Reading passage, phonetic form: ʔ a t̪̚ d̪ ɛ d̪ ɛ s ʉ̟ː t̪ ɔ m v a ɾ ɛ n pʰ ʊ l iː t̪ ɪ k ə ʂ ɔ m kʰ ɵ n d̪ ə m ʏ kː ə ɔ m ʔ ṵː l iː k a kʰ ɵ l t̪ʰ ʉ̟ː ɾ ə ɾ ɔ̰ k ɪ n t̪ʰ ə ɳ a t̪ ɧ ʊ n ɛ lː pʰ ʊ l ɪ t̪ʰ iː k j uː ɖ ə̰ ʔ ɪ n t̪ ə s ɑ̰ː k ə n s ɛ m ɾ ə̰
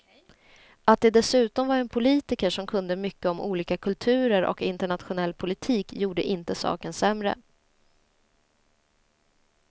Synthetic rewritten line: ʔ a t̪̚ d̪ ɛ d̪ ɛ s ʉ̟ː t̪ ɔ m v a ɾ ɛ n pʰ ʊ l iː t̪ ɪ k ə ʂ ɔ m kʰ ɵ n d̪ ə m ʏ kː ə ɔ m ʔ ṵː l iː k a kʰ ɵ l t̪ʰ ʉ̟ː ɾ ə ɾ ɔ̰ k ɪ n t̪ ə ɳ a t̪ ɧ ʊ n ɛ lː pʰ ʊ l ɪ t̪ʰ iː k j uː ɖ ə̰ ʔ ɪ n t̪ ə s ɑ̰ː k ə n s ɛ m ɾ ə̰